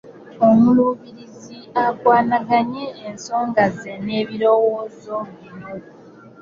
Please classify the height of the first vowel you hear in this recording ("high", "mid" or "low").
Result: mid